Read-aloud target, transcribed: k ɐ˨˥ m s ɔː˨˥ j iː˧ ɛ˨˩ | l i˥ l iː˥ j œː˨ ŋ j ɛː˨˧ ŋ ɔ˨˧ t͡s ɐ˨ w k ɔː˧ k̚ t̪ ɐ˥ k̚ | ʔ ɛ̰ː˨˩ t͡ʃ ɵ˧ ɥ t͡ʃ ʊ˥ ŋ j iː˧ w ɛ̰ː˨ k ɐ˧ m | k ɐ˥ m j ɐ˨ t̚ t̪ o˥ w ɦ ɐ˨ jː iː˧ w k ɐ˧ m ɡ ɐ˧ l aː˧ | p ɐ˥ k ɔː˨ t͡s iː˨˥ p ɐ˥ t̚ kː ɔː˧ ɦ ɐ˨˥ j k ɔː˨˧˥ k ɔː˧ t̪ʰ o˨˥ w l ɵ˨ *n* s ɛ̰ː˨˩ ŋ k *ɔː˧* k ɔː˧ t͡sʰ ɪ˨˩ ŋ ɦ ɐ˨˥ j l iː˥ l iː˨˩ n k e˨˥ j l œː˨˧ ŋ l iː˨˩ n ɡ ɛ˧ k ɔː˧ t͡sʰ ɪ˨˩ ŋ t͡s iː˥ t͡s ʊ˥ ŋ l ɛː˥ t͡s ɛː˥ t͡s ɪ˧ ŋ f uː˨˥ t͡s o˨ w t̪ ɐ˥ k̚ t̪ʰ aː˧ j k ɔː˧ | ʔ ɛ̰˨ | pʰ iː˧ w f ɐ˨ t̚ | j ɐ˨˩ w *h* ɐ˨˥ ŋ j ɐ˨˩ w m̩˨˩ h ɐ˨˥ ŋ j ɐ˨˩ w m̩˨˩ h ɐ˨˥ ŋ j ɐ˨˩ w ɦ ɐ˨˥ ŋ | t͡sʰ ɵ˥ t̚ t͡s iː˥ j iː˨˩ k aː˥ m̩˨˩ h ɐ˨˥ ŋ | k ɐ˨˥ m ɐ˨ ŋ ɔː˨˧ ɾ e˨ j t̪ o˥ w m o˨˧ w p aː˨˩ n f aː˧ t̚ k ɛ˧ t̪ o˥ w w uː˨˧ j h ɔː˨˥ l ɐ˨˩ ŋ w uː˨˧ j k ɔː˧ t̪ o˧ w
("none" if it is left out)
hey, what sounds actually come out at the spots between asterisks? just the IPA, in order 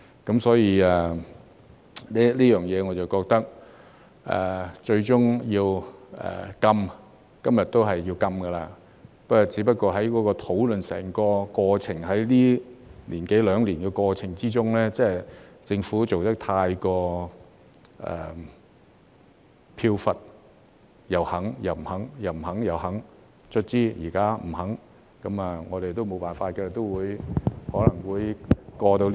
n, ɔː˧, h

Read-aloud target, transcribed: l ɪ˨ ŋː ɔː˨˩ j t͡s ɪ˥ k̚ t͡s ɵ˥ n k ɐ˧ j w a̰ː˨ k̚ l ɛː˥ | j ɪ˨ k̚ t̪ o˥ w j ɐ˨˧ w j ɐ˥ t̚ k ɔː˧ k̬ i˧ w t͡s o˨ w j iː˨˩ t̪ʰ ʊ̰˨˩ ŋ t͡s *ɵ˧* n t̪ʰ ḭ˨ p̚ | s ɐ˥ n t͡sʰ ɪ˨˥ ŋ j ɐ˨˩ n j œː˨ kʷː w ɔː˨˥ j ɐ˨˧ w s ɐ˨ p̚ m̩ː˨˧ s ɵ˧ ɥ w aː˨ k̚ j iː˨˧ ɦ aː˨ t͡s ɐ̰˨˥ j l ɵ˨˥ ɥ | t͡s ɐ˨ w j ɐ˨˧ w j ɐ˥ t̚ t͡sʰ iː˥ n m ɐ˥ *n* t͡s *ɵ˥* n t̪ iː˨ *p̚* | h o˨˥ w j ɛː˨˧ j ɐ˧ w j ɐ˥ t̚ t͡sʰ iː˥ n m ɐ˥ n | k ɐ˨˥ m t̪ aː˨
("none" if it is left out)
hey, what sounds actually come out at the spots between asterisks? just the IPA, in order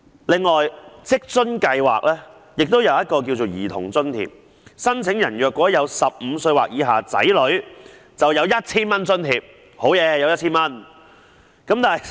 ɵ˥, n, ɵ˥, p̚

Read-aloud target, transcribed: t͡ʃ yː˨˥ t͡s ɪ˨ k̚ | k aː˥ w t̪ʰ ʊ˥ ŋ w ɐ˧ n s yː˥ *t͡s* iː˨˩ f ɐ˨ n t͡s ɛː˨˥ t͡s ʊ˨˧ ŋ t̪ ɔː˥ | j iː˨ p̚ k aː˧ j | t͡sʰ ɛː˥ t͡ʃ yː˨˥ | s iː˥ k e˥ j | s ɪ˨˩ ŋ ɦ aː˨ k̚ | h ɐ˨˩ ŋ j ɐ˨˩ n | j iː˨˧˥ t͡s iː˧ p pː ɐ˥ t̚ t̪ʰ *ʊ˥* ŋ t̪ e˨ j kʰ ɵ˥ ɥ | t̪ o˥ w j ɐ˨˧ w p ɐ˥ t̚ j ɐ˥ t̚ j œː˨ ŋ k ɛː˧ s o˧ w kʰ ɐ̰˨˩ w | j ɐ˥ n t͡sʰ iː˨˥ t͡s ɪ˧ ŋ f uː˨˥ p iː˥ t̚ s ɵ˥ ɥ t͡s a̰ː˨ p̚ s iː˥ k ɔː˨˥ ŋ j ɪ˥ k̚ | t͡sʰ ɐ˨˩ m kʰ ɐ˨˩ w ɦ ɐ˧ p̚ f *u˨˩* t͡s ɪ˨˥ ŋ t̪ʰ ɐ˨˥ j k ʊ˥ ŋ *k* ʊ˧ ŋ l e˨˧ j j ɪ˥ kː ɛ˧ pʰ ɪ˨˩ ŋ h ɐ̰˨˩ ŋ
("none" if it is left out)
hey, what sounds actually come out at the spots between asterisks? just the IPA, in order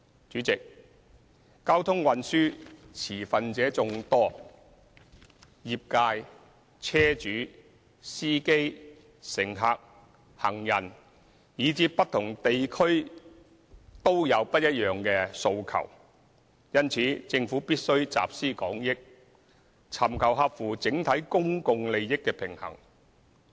t͡sʰ, ʊ˨˩, uː˨˩, k

